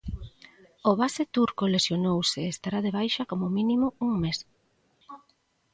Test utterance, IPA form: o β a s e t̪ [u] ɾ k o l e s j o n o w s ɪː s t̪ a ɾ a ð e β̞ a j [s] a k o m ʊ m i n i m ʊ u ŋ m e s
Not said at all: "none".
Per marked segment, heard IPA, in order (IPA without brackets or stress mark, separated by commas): u, ʃ